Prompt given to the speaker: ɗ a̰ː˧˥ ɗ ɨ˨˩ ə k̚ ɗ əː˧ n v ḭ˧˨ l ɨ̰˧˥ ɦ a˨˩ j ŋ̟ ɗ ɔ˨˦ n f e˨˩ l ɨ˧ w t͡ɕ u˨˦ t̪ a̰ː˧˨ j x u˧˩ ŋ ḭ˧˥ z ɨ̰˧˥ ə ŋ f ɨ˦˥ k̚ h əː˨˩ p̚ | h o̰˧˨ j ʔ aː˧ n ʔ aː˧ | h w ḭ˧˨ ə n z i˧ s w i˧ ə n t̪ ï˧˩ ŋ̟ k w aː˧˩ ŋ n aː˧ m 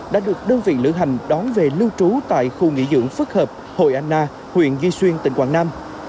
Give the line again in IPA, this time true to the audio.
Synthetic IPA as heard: ɗ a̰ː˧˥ ɗ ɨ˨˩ ə k̚ ɗ əː˧ n v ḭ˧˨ l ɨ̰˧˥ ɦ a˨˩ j ŋ̟ ɗ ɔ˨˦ n v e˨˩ l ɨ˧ w t͡ɕ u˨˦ t̪ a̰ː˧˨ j x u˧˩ ŋ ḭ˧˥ z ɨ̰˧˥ ə ŋ f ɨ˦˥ k̚ h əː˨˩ p̚ | h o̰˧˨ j ʔ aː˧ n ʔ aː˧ | h w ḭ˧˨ ə n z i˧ s w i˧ ə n t̪ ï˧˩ ŋ̟ k w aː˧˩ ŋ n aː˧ m

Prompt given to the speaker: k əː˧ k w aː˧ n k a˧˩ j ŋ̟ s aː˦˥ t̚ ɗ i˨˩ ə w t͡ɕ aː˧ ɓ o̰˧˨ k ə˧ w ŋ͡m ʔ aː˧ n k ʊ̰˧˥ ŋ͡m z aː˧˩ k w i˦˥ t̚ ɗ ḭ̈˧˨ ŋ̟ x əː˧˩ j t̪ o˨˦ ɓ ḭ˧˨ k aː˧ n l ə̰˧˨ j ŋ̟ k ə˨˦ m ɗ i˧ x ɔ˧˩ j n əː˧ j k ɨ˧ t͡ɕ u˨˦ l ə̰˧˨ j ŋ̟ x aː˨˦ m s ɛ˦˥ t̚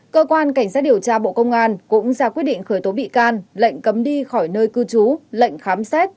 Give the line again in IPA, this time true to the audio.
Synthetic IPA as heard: k əː˧ k w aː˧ n k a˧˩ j ŋ̟ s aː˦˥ t̚ ɗ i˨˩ ə w t͡ɕ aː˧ ɓ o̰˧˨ k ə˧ w ŋ͡m ʔ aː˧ n k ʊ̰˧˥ ŋ͡m z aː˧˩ k w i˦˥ t̚ ɗ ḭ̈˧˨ ŋ̟ x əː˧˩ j t̪ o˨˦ ɓ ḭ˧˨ k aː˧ n l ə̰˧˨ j ŋ̟ k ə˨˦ m ɗ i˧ x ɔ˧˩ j n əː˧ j k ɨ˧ t͡ɕ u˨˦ l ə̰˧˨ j ŋ̟ x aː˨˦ m s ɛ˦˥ t̚

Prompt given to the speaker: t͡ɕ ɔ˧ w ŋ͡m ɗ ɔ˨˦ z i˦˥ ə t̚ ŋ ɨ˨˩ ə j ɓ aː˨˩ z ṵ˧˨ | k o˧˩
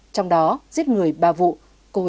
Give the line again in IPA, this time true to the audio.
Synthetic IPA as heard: t͡ɕ ɔ˧ w ŋ͡m ɗ ɔ˨˦ z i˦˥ ə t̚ ŋ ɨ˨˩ ə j ɓ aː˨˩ v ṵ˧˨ | k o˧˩

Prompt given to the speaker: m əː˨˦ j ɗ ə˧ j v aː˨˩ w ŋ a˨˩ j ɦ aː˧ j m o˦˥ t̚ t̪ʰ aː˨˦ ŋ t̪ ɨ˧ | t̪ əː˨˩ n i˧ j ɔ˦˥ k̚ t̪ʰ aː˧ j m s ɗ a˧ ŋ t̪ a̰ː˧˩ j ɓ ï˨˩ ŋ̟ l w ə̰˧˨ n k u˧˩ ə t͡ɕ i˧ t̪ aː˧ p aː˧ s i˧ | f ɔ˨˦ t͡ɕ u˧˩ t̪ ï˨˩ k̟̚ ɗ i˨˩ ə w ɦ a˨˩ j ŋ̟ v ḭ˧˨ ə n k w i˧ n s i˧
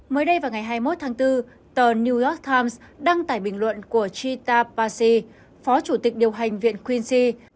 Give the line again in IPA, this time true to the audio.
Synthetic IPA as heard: m əː˨˦ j ɗ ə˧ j v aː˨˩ w ŋ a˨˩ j ɦ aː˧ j m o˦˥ t̚ t̪ʰ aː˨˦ ŋ t̪ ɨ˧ | t̪ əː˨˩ n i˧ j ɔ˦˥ k̚ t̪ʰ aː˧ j m s ɗ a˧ ŋ t̪ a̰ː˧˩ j ɓ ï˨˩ ŋ̟ l w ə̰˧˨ n k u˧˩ ə t͡ɕ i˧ t̪ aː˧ p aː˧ s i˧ | f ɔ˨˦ t͡ɕ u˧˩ t̪ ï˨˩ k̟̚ ɗ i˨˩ ə w ɦ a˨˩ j ŋ̟ v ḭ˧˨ ə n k w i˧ n s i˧

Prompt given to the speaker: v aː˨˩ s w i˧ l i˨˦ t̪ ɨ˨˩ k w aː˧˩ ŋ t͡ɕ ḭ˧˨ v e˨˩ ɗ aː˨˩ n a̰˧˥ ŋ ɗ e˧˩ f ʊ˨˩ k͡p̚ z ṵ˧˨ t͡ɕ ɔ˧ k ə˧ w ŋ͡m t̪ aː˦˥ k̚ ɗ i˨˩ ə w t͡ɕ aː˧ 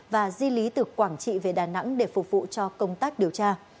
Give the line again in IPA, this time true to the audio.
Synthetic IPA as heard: v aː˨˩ z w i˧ l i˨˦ t̪ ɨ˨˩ k w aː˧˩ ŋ t͡ɕ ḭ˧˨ v e˨˩ ɗ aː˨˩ n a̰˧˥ ŋ ɗ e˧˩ f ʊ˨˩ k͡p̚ v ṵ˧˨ t͡ɕ ɔ˧ k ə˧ w ŋ͡m t̪ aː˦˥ k̚ ɗ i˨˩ ə w t͡ɕ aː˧

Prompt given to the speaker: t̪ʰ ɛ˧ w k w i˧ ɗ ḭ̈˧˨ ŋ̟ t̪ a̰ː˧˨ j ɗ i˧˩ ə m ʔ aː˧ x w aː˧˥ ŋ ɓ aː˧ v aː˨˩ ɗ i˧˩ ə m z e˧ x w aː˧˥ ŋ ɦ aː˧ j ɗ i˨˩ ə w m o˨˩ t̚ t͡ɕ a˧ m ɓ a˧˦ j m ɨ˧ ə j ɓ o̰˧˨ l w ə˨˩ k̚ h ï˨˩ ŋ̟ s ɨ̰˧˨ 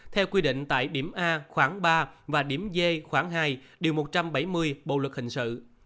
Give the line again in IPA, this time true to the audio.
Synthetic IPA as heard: t̪ʰ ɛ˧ w k w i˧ ɗ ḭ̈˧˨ ŋ̟ t̪ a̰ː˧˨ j ɗ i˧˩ ə m ʔ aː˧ x w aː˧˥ ŋ ɓ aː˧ v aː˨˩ ɗ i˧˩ ə m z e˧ x w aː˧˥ ŋ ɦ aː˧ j ɗ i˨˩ ə w m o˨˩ t̚ t͡ɕ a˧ m ɓ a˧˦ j m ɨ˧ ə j ɓ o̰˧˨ l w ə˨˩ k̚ h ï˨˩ ŋ̟ s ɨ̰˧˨

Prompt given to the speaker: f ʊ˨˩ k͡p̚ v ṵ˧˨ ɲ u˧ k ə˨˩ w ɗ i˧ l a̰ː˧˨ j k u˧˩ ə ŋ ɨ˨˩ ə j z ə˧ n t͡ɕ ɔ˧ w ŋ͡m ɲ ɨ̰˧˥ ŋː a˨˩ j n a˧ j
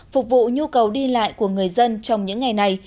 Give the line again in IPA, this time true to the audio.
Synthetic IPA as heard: f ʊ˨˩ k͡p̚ v ṵ˧˨ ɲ u˧ k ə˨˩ w ɗ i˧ l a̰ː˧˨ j k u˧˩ ə ŋ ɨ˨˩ ə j z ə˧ n t͡ɕ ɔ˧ w ŋ͡m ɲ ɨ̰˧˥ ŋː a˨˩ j n a˨˩ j

